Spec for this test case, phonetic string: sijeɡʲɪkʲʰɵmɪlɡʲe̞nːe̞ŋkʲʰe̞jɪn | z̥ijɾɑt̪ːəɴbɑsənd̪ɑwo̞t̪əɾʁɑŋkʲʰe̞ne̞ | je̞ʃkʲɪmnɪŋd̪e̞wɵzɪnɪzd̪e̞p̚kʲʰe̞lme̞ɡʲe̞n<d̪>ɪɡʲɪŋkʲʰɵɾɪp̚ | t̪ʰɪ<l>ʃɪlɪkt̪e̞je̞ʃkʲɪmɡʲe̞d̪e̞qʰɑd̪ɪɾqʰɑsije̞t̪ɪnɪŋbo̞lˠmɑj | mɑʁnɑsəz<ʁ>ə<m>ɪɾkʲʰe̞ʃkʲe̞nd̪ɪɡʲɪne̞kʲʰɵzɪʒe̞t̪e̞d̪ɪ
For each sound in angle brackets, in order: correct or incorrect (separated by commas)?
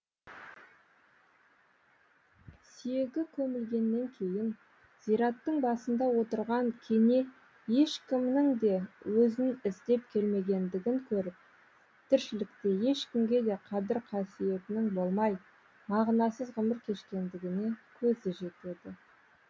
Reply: correct, incorrect, correct, correct